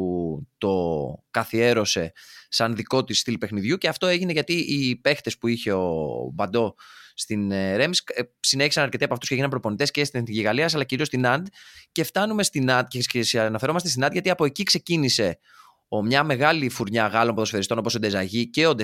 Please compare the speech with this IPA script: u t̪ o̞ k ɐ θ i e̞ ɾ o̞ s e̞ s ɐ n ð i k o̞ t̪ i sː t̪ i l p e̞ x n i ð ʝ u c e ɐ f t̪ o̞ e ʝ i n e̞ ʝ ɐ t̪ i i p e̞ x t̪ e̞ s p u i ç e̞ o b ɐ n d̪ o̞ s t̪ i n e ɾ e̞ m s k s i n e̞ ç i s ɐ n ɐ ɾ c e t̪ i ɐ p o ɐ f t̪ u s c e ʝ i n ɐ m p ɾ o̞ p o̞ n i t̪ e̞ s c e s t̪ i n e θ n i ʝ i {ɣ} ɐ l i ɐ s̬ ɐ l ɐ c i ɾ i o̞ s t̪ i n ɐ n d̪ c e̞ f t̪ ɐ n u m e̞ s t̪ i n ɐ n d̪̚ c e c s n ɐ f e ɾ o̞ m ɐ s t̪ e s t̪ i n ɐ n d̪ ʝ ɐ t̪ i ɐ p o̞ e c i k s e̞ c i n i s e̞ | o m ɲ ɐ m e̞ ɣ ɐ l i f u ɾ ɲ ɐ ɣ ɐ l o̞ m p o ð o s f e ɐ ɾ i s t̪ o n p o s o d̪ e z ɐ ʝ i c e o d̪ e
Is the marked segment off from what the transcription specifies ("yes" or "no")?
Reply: no